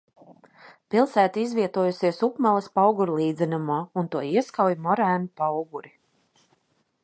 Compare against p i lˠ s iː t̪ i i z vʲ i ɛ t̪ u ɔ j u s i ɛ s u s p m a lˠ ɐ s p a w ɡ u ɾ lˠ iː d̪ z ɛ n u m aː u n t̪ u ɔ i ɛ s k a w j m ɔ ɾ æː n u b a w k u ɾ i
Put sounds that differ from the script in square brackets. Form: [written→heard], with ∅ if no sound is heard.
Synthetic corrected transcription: p i lˠ s [iː→æː] t̪ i i z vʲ i ɛ t̪ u ɔ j u s i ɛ s u [s→∅] p m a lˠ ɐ s p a w ɡ u ɾ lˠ iː d̪ z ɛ n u m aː u n t̪ u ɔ i ɛ s k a w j m ɔ ɾ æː n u [b→p] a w [k→ɡ] u ɾ i